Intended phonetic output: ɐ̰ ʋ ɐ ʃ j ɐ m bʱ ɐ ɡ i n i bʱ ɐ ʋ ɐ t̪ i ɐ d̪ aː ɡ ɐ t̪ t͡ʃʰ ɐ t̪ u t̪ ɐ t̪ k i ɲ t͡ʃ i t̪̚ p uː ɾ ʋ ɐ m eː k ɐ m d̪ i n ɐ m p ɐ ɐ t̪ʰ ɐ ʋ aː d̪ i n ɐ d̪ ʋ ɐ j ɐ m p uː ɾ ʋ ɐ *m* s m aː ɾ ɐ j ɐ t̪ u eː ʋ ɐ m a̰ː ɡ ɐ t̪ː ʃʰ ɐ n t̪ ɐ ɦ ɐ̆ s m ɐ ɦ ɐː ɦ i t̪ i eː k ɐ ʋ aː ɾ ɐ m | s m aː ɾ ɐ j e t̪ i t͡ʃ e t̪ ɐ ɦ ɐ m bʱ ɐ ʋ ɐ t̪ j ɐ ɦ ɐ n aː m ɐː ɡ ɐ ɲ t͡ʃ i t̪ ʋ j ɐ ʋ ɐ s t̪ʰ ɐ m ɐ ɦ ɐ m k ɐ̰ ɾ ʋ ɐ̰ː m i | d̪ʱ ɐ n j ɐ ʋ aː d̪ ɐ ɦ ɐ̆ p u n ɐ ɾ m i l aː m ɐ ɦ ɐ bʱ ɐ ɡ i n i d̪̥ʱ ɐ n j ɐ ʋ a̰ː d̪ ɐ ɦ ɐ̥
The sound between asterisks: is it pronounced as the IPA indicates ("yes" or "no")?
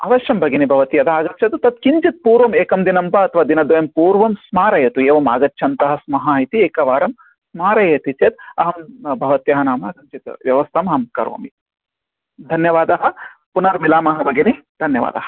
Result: yes